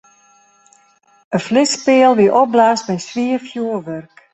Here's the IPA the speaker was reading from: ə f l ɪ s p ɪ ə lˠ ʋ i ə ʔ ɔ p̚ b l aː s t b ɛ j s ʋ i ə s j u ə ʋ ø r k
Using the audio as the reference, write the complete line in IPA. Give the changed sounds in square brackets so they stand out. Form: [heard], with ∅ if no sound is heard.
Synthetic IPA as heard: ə f l ɪ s p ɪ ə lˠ ʋ i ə ʔ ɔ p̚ b l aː s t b ɛ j s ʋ i ə [f] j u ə ʋ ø r k

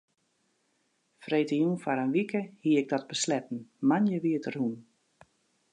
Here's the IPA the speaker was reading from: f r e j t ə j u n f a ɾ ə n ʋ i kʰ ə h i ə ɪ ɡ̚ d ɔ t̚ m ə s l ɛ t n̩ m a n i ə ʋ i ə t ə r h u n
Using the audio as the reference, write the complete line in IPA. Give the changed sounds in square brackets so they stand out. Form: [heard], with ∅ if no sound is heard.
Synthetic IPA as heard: f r e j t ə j u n f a ɾ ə n ʋ i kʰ ə h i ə ɪ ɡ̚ d ɔ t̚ [b] ə s l ɛ t n̩ m a n [j] ə ʋ i ə t ə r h u n

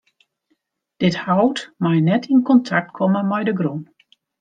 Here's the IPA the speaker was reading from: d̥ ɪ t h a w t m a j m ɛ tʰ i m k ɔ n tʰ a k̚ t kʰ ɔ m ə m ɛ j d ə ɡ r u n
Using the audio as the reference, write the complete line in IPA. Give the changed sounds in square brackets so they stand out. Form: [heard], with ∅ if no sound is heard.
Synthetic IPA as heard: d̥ ɪ t h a w t m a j [n] ɛ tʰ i [n] k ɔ n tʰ a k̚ t kʰ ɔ m ə m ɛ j d ə ɡ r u n

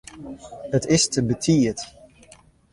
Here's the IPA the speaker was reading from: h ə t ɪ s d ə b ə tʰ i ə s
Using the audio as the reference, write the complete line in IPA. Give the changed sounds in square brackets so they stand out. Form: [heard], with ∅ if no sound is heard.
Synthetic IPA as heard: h ə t ɪ s [t] ə b ə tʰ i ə [t]

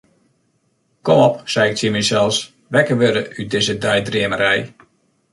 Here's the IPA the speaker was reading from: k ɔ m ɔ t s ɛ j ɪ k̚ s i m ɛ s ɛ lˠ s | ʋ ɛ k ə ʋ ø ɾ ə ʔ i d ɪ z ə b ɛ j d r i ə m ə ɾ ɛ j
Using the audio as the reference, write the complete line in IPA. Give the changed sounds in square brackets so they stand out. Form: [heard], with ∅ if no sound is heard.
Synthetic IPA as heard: k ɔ m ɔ [p] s ɛ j ɪ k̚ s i m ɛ s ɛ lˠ s | ʋ ɛ k ə ʋ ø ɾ ə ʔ [y] d ɪ z ə [d] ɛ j d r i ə m ə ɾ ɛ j

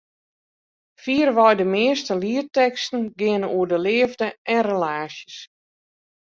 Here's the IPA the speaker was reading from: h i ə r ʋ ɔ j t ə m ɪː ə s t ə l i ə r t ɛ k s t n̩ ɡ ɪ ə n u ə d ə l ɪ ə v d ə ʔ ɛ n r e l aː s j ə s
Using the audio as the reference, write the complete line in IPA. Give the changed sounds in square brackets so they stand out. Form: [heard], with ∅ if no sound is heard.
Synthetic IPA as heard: [f] i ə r ʋ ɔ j [d] ə m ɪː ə s t ə l i ə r t ɛ k s t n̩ ɡ ɪ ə n u ə d ə l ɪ ə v d ə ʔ ɛ n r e l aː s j ə s

